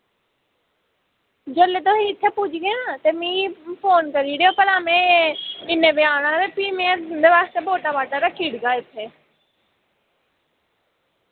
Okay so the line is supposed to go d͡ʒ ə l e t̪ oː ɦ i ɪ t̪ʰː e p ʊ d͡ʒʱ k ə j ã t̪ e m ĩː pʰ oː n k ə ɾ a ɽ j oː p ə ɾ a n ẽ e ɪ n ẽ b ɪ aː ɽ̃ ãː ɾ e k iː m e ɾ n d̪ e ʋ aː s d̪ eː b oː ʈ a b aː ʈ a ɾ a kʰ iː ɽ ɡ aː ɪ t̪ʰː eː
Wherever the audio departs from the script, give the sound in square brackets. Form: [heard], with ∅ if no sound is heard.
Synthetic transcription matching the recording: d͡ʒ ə l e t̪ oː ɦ i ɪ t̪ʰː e p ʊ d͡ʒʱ [ɡ] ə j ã t̪ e m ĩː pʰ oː n k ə ɾ [i] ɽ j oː p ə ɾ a [m] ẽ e ɪ n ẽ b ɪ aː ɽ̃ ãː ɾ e [p] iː m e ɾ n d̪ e ʋ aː s [t̪] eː b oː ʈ a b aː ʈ a ɾ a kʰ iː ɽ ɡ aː ɪ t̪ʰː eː